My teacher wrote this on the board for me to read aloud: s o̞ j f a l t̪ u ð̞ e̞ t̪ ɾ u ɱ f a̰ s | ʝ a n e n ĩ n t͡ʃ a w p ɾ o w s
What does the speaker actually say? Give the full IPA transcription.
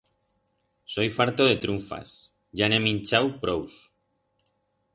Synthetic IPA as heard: s o̞ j f a ɾ t̪ o ð̞ e̞ t̪ ɾ u ɱ f a̰ s | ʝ a n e m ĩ n t͡ʃ a w p ɾ o w s